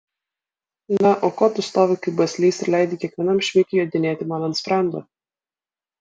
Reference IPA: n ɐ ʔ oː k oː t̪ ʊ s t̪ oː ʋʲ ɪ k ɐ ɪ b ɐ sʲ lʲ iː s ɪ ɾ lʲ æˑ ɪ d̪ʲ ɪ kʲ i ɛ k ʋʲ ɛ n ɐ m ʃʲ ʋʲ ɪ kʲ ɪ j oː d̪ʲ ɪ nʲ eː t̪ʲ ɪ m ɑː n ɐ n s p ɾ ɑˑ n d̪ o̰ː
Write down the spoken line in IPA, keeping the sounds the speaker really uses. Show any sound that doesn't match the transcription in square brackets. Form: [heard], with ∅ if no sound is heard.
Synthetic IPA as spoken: n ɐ ʔ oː k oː t̪ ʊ s t̪ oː ʋʲ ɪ k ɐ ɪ b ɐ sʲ lʲ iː s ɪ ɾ lʲ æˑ ɪ d̪ʲ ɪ kʲ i ɛ k ʋʲ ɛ n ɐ m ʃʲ ʋʲ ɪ kʲ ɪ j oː d̪ʲ ɪ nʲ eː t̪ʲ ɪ m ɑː n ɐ n s p ɾ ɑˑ n d̪ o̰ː

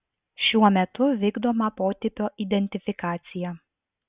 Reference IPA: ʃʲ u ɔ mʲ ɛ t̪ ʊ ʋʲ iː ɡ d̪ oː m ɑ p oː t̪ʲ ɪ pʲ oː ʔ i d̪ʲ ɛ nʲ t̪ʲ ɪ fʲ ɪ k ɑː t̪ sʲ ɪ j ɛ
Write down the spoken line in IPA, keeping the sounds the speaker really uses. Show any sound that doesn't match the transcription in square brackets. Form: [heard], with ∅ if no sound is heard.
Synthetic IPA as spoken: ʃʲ u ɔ mʲ ɛ t̪ ʊ ʋʲ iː ɡ d̪ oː m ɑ p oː t̪ʲ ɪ pʲ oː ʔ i d̪ʲ ɛ nʲ t̪ʲ ɪ fʲ ɪ k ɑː t̪ sʲ ɪ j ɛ

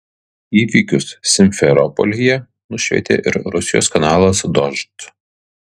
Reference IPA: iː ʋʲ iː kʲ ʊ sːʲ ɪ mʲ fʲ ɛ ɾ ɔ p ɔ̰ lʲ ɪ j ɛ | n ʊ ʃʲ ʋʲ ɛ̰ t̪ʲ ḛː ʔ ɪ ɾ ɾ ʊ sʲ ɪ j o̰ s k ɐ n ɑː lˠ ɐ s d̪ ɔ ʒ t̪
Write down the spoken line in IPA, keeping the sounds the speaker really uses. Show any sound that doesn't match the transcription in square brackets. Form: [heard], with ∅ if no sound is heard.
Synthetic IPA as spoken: iː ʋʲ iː kʲ ʊ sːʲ ɪ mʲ fʲ ɛ ɾ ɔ p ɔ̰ lʲ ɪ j ɛ | n ʊ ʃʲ ʋʲ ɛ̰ t̪ʲ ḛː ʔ ɪ ɾ ɾ ʊ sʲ ɪ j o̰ s k ɐ n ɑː lˠ ɐ s d̪ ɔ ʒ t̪

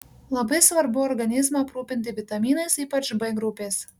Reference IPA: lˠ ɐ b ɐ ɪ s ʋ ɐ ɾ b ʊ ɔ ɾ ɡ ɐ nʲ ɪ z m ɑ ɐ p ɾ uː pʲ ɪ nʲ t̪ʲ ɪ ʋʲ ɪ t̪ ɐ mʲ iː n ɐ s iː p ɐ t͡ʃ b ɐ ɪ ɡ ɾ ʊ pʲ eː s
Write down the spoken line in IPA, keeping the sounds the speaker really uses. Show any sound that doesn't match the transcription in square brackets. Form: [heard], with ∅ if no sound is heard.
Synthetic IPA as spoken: lˠ ɐ b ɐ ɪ s ʋ ɐ ɾ b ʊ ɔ ɾ ɡ ɐ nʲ ɪ z m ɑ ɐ p ɾ uː pʲ ɪ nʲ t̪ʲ ɪ ʋʲ ɪ t̪ ɐ mʲ iː n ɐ s iː p ɐ t͡ʃ b ɐ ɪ ɡ ɾ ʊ pʲ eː s

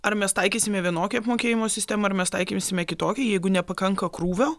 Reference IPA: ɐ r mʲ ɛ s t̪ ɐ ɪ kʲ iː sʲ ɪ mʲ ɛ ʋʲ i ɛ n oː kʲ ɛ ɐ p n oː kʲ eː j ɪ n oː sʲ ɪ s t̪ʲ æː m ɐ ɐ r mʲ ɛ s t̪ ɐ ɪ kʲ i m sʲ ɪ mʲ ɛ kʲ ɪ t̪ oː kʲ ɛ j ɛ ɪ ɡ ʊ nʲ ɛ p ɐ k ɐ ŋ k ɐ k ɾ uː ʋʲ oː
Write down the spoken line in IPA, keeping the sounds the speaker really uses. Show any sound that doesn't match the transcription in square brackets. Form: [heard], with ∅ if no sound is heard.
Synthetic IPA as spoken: ɐ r mʲ ɛ s t̪ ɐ ɪ kʲ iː sʲ ɪ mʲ ɛ ʋʲ i ɛ n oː kʲ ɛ ɐ p [m] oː kʲ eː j ɪ [m] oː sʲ ɪ s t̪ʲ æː m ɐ ɐ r mʲ ɛ s t̪ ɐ ɪ kʲ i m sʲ ɪ mʲ ɛ kʲ ɪ t̪ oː kʲ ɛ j ɛ ɪ ɡ ʊ nʲ ɛ p ɐ k ɐ ŋ k ɐ k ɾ uː ʋʲ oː

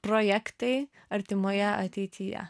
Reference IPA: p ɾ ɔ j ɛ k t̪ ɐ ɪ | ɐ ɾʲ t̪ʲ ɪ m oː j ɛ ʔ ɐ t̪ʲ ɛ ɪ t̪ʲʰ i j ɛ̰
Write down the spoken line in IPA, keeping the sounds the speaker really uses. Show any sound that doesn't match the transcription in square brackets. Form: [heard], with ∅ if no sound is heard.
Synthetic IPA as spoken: p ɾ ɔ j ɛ k t̪ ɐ ɪ | ɐ ɾʲ t̪ʲ ɪ m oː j ɛ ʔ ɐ t̪ʲ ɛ ɪ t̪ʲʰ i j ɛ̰

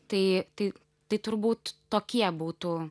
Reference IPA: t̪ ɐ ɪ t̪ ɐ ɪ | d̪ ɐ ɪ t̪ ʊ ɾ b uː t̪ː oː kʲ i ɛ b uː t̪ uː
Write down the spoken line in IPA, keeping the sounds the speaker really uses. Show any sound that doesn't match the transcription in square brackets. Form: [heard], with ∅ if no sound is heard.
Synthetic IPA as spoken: t̪ ɐ ɪ t̪ ɐ ɪ | [t̪] ɐ ɪ t̪ ʊ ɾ b uː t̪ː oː kʲ i ɛ b uː t̪ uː

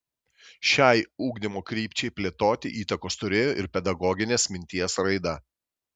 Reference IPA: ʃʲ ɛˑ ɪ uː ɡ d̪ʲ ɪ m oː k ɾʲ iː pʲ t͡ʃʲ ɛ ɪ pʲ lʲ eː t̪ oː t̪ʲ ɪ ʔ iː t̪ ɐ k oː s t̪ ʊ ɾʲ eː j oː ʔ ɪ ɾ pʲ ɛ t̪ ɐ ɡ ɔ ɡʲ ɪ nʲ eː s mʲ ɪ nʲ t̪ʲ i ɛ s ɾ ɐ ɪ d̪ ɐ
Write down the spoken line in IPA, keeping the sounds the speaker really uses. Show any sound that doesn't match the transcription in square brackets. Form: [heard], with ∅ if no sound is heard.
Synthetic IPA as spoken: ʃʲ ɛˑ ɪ uː ɡ d̪ʲ ɪ m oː k ɾʲ iː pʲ t͡ʃʲ ɛ ɪ pʲ lʲ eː t̪ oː t̪ʲ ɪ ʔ iː t̪ ɐ k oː s t̪ ʊ ɾʲ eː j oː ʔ ɪ ɾ pʲ ɛ [d̪] ɐ ɡ ɔ ɡʲ ɪ nʲ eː s mʲ ɪ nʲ t̪ʲ i ɛ s ɾ ɐ ɪ d̪ ɐ

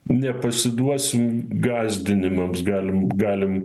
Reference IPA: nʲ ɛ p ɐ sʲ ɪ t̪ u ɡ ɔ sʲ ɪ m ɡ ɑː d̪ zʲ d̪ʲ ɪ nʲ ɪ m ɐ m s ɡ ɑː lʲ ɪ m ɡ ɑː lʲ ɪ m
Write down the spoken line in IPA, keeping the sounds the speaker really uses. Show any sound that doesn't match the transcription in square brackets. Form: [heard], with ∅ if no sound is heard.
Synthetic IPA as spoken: nʲ ɛ p ɐ sʲ ɪ [d̪] u [∅] ɔ sʲ ɪ m ɡ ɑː [∅] zʲ d̪ʲ ɪ nʲ ɪ m ɐ m s ɡ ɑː lʲ ɪ m ɡ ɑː lʲ ɪ m

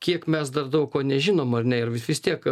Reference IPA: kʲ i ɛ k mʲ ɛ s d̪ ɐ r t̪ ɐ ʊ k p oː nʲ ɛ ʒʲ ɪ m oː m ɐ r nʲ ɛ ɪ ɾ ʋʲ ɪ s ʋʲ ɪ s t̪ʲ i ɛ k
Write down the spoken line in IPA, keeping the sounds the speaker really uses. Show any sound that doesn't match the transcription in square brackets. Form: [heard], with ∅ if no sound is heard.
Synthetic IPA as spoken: kʲ i ɛ k mʲ ɛ s d̪ ɐ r [d̪] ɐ ʊ k [k] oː nʲ ɛ ʒʲ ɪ [n] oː m ɐ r nʲ ɛ ɪ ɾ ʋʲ ɪ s ʋʲ ɪ s t̪ʲ i ɛ k

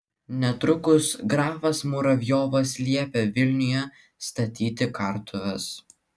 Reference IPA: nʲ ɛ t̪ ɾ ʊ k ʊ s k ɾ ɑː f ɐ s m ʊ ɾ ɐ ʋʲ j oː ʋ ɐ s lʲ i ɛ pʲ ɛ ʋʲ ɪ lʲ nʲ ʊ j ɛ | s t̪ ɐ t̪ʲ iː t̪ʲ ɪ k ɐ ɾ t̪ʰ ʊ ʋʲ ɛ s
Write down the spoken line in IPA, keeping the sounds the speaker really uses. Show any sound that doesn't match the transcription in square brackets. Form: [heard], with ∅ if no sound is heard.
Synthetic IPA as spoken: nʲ ɛ t̪ ɾ ʊ k ʊ s [ɡ] ɾ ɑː f ɐ s m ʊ ɾ ɐ ʋʲ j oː ʋ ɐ s lʲ i ɛ pʲ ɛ ʋʲ ɪ lʲ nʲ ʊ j ɛ | s t̪ ɐ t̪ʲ iː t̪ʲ ɪ k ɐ ɾ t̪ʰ ʊ ʋʲ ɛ s

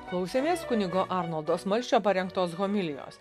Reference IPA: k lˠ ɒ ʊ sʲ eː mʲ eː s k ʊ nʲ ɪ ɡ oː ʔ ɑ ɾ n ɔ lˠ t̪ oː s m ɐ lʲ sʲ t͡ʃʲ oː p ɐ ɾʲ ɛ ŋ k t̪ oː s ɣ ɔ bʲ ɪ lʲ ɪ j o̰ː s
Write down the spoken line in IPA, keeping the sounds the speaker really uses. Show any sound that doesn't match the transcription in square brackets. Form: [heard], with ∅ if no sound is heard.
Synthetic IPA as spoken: k lˠ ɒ ʊ sʲ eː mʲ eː s k ʊ nʲ ɪ ɡ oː ʔ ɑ ɾ n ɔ lˠ [d̪] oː s m ɐ lʲ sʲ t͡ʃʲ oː p ɐ ɾʲ ɛ ŋ k t̪ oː s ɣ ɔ [mʲ] ɪ lʲ ɪ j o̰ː s

